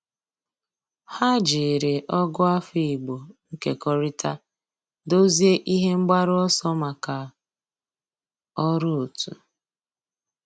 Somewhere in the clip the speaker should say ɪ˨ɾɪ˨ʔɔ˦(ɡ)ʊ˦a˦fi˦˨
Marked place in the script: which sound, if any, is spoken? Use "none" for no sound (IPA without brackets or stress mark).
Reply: ɡ